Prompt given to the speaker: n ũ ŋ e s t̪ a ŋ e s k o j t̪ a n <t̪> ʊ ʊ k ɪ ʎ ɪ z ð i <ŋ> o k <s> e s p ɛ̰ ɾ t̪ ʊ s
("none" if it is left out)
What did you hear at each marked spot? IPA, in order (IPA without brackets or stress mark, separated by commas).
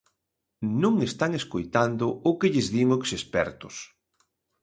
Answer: d̪, ŋ, s